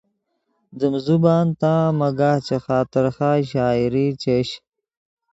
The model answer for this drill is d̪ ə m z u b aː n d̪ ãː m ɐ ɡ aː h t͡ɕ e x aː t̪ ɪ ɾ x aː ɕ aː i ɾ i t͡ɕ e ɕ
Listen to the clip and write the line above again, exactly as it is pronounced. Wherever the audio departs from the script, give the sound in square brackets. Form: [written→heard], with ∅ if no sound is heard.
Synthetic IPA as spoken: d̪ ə m z u b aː n [d̪→t̪] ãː m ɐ ɡ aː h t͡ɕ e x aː t̪ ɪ ɾ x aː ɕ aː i ɾ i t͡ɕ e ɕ